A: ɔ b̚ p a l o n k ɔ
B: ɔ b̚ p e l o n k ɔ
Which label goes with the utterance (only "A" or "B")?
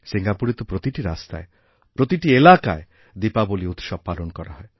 A